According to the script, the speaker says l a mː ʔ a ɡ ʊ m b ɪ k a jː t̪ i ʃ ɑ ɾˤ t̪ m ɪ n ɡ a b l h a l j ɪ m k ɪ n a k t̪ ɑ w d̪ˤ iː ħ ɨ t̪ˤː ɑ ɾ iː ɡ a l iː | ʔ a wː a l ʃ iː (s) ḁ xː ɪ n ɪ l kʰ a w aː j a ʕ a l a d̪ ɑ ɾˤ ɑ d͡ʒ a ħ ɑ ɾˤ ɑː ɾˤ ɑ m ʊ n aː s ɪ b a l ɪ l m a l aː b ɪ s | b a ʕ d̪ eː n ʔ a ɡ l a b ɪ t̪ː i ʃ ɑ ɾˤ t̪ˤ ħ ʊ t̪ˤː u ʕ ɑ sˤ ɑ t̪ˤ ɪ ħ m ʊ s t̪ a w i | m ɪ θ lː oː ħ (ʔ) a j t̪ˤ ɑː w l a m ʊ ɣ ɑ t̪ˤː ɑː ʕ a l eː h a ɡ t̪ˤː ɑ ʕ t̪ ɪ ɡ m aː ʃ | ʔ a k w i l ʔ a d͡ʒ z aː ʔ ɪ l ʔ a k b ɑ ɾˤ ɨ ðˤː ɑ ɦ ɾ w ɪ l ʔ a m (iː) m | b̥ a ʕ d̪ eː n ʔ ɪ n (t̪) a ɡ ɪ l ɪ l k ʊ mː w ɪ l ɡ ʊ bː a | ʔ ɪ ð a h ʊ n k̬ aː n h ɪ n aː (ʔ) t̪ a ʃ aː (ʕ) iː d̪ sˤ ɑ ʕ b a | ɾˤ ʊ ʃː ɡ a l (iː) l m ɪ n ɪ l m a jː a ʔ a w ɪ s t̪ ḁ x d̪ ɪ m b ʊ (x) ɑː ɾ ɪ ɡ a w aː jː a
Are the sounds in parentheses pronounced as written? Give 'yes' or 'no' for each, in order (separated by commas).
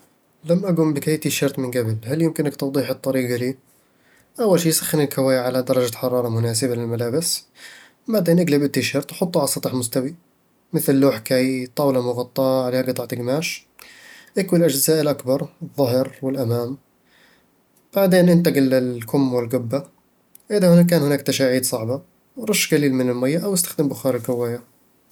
yes, no, no, yes, no, yes, yes, yes